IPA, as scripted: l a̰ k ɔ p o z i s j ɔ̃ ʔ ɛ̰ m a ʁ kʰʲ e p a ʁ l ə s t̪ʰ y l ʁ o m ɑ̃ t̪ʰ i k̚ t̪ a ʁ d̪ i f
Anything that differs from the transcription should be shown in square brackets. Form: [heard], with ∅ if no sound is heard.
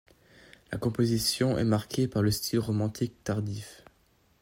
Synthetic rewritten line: l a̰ k [ɔ̃] p o z i s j ɔ̃ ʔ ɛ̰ m a ʁ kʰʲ e p a ʁ l ə s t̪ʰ [i] l ʁ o m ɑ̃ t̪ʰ i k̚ t̪ a ʁ d̪ i f